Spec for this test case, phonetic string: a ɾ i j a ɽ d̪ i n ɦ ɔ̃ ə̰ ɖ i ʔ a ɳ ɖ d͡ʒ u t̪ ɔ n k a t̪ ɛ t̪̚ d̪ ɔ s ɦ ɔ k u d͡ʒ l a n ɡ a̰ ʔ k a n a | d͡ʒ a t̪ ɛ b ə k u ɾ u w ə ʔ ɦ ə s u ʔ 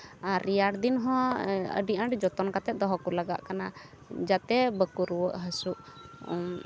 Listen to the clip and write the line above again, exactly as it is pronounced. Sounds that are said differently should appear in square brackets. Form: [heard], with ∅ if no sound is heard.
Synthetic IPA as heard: a ɾ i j a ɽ d̪ i n ɦ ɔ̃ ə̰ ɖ i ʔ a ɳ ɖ d͡ʒ [ɔ] t̪ ɔ n k a t̪ ɛ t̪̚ d̪ ɔ [∅] ɦ ɔ k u [∅] l a [∅] ɡ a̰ ʔ k a n a | d͡ʒ a t̪ ɛ b ə k u ɾ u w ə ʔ ɦ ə s u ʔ